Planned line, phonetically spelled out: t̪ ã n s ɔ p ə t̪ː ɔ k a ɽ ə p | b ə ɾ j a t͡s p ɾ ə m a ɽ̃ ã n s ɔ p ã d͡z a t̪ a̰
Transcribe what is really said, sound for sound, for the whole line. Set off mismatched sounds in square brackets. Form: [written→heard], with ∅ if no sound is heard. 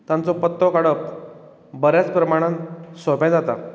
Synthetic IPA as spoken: t̪ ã n [s→t͡s] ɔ p ə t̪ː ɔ k a ɽ ə p | b ə ɾ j a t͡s p ɾ ə m a ɽ̃ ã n s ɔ p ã d͡z a t̪ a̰